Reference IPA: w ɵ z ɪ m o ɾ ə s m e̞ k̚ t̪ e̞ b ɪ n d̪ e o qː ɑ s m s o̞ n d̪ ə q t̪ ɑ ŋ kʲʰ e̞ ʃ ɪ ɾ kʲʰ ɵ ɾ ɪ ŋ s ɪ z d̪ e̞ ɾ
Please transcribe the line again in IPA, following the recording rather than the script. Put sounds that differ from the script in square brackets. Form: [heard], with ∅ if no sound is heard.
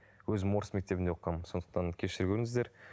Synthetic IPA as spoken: w ɵ z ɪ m o ɾ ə s m e̞ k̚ t̪ e̞ b ɪ n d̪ e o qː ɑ [∅] m s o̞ n d̪ ə q t̪ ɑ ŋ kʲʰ e̞ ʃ ɪ ɾ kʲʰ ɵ ɾ ɪ ŋ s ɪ z d̪ e̞ ɾ